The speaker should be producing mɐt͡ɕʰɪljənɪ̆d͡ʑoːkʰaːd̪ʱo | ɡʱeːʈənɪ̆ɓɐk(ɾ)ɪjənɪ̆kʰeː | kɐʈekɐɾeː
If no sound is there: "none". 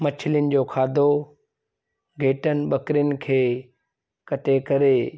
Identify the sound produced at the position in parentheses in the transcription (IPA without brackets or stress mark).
ɾ